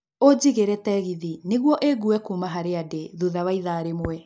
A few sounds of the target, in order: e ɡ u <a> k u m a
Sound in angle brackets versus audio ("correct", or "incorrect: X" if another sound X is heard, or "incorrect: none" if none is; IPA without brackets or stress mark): incorrect: ɛ